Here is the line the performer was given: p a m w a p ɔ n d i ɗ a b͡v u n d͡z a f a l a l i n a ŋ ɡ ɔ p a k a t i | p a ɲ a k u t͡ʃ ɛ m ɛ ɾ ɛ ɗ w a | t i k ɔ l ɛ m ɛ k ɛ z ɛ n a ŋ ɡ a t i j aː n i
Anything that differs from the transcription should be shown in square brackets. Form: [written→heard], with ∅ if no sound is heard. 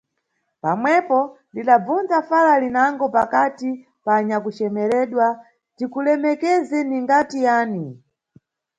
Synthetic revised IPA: p a m w [a→ɛ] p ɔ n d i ɗ a b͡v u n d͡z a f a l a l i n a ŋ ɡ ɔ p a k a t i | p a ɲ a k u t͡ʃ ɛ m ɛ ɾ ɛ ɗ w a | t i k [ɔ→u] l ɛ m ɛ k ɛ z ɛ n [a→i] ŋ ɡ a t i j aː n i